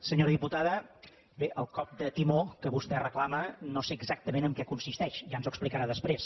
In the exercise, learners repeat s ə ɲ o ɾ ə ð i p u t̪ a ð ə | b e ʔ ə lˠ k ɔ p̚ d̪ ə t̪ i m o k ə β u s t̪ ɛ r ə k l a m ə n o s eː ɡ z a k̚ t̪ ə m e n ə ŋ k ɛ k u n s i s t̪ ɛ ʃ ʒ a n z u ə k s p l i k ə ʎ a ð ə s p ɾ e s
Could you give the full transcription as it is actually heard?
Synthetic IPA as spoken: s ə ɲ o ɾ ə ð i p u t̪ a ð ə | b e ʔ ə lˠ k ɔ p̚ d̪ ə t̪ i m o k ə β u s t̪ ɛ r ə k l a m ə n o s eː ɡ z a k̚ t̪ ə m e n ə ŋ k ɛ k u n s i s t̪ ɛ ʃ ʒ a n z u ə k s p l i k ə ɾ a ð ə s p ɾ e s

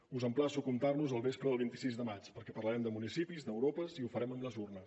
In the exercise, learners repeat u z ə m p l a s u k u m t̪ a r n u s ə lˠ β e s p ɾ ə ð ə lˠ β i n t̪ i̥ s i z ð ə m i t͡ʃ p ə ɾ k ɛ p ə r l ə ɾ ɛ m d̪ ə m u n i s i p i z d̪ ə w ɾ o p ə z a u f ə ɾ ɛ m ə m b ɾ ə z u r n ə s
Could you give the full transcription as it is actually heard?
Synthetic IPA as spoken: u z ə m p l a s u k u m t̪ a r n u z ə lˠ β e s p ɾ ə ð ə lˠ β i n t̪ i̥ s i z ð ə m a t͡ʃ p ə ɾ k ɛ p ə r l ə ɾ ɛ m d̪ ə m u n i s i p i z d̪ ə w ɾ o p ə z i u f ə ɾ ɛ m ə m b l ə z u r n ə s

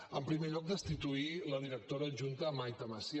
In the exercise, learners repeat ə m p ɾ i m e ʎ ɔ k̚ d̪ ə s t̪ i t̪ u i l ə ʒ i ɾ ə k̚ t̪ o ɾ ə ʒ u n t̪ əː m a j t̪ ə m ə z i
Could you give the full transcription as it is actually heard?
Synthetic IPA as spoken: ə m p ɾ i m e ʎ ɔ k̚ d̪ ə s t̪ i t̪ u i l ə ð i ɾ ə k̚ t̪ o ɾ ə ʒ u n t̪ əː m a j t̪ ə m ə s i

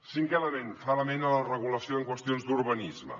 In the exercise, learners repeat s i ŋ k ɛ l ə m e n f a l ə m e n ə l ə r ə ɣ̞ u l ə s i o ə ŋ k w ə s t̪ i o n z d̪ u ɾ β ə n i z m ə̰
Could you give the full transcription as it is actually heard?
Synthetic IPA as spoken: s i ŋ k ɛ l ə m e n f a l ə m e n ə l ə r ə ɣ̞ u l ə s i o ə ŋ k w ə s t̪ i o n z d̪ u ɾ β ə n i z m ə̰

